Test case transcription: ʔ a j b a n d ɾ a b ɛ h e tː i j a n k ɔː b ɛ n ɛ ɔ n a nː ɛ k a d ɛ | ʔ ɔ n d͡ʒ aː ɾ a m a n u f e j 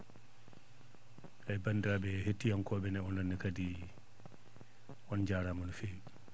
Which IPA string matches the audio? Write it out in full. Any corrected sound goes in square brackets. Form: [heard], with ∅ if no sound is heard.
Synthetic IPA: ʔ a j b a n d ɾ a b ɛ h e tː i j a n k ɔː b ɛ n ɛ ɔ n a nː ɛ k a d [i] | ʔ ɔ n d͡ʒ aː ɾ a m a n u f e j